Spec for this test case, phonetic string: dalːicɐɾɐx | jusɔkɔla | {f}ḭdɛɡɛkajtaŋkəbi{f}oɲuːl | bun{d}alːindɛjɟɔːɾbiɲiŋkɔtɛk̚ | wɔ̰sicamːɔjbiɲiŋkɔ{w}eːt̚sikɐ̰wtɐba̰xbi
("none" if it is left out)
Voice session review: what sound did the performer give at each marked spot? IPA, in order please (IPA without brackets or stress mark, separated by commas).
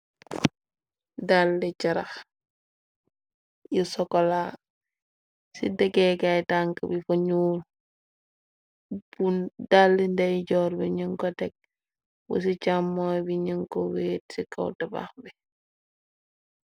s, f, d, w